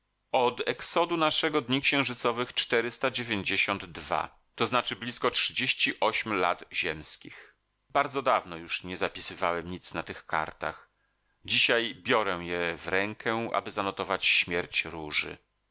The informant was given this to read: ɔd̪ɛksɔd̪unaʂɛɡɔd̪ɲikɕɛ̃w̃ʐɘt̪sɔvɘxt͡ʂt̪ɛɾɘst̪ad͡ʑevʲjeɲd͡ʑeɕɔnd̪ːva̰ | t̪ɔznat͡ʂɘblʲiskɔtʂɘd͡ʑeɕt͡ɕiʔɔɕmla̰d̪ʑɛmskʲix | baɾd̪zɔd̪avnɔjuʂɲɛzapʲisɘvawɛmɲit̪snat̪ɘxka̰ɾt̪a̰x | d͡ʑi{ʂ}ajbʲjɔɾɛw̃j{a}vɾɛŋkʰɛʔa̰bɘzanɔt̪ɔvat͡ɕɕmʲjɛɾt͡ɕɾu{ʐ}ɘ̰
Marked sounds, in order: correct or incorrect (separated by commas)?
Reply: incorrect, incorrect, correct